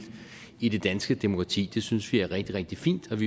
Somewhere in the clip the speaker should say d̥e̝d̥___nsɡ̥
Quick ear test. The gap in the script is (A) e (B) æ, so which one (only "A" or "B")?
B